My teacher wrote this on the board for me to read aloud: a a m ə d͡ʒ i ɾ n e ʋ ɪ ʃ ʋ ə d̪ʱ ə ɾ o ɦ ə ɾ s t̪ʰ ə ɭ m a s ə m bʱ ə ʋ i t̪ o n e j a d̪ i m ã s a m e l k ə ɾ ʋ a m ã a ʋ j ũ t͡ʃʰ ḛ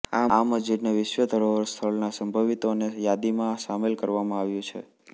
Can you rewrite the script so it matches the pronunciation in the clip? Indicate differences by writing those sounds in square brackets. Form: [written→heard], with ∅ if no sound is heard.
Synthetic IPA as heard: a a m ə d͡ʒ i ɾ n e ʋ ɪ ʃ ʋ ə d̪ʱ ə ɾ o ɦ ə ɾ s t̪ʰ ə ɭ [m→n] a s ə m bʱ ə ʋ i t̪ o n e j a d̪ i m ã s a m e l k ə ɾ ʋ a m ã a ʋ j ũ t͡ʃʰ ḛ